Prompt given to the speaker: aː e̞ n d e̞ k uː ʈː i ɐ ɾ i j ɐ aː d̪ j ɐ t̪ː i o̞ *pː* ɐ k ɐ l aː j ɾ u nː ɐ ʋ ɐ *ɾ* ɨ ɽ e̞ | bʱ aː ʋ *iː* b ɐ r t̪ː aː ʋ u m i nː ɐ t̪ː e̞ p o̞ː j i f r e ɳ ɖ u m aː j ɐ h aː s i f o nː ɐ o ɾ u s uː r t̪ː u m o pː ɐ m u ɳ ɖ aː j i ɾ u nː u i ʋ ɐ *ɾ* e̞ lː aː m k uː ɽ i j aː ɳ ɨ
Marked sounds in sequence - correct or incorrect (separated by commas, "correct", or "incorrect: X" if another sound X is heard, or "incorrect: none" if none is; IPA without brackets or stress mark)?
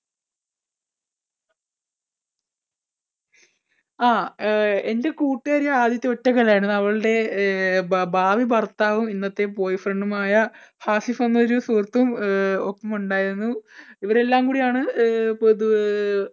incorrect: tː, incorrect: ɭ, incorrect: i, correct